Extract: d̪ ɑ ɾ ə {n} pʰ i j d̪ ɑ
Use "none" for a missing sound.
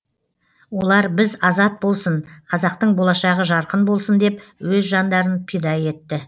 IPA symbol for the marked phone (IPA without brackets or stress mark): n